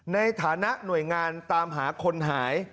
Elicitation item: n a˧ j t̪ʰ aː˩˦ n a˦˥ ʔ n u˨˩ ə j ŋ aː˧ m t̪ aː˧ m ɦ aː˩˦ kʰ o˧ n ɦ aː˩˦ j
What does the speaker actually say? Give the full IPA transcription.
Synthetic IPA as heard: n a˧ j t̪ʰ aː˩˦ n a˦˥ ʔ n u˨˩ ə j ŋ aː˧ n t̪ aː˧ m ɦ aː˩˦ kʰ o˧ n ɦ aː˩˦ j

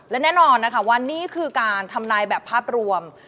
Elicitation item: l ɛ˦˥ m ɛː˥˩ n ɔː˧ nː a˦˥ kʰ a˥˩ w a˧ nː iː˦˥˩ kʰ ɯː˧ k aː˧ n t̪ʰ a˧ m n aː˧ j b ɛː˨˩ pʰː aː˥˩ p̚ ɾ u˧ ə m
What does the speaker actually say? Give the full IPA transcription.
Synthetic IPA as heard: l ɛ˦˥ n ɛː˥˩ n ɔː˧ nː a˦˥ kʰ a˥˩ w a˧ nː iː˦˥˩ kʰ ɯː˧ k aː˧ n t̪ʰ a˧ m n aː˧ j b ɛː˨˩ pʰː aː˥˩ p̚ ɾ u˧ ə m

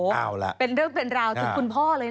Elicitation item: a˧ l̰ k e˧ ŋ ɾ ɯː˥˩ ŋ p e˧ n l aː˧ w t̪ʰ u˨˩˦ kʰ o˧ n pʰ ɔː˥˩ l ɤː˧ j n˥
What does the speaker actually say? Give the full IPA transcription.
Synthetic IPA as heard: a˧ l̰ p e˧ n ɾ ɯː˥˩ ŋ p e˧ n ɾ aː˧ w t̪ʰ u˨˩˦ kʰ u˧ n pʰ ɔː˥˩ l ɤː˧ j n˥

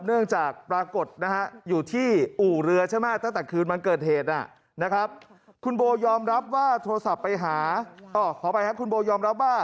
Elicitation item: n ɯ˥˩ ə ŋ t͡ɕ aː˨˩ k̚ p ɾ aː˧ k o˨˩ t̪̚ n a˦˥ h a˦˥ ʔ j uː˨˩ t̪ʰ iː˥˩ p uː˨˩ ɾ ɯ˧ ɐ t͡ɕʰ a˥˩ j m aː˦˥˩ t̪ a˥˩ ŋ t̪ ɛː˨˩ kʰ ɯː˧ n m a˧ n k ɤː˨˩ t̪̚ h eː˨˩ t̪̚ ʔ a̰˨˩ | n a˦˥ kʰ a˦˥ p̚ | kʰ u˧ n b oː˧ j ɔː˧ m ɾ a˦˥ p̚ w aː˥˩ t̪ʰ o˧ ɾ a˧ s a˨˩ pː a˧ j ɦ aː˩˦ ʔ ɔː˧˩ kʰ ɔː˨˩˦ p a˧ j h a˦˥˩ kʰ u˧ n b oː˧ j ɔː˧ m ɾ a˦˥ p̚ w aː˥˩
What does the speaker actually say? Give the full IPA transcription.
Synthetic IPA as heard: n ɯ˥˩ ə ŋ t͡ɕ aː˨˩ k̚ p ɾ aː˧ k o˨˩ t̪̚ n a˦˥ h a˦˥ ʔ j uː˨˩ t̪ʰ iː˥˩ ʔ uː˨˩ ɾ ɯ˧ ɐ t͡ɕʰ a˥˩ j m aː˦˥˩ t̪ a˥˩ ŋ t̪ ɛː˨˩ kʰ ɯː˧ n m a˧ n k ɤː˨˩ t̪̚ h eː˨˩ t̪̚ ʔ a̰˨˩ | n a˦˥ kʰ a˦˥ p̚ | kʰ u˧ n b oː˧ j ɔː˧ m ɾ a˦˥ p̚ w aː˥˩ t̪ʰ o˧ ɾ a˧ s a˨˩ pː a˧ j ɦ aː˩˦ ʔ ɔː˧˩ kʰ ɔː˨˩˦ p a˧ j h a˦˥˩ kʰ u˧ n b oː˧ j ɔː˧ m ɾ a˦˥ p̚ w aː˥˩

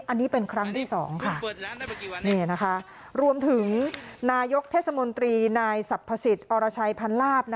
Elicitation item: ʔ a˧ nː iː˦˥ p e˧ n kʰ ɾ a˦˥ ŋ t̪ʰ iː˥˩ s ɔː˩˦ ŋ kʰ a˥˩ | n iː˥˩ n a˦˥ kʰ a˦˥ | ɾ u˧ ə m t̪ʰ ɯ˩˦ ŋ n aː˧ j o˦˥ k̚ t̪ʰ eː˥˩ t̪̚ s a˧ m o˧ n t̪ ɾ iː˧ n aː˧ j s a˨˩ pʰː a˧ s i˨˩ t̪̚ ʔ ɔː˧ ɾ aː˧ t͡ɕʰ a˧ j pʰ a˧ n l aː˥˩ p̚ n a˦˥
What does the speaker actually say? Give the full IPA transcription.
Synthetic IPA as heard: ʔ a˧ nː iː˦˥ p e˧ n kʰ ɾ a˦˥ ŋ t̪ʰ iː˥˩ s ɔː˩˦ ŋ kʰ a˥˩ | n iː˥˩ n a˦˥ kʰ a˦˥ | ɾ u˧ ə m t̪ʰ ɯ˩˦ ŋ n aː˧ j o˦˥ k̚ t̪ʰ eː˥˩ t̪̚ s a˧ m o˧ n t̪ ɾ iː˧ n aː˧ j s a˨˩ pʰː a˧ s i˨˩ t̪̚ ʔ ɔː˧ ɾ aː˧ t͡ɕʰ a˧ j pʰ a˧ n l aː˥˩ p̚ n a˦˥

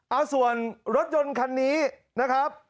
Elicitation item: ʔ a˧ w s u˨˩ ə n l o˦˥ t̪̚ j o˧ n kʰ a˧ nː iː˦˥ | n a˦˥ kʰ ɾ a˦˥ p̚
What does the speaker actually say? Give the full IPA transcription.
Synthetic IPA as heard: ʔ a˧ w s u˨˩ ə n ɾ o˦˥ t̪̚ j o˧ n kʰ a˧ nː iː˦˥ | n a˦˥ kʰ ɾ a˦˥ p̚

